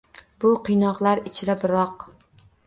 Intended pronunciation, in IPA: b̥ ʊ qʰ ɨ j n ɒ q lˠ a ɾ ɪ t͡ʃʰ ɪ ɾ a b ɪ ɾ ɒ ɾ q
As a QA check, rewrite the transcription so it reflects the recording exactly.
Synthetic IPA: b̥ ʊ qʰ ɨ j n ɒ q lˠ a ɾ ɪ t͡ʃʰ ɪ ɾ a b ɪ ɾ ɒ q